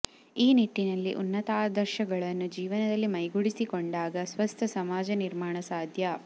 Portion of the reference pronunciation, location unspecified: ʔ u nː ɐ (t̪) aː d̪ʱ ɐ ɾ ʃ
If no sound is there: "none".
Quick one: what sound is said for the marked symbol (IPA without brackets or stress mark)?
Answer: t̪